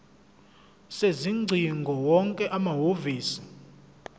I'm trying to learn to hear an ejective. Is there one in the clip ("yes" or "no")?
yes